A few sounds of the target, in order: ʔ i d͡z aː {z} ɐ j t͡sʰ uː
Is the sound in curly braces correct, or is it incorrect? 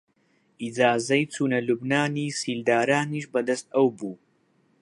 correct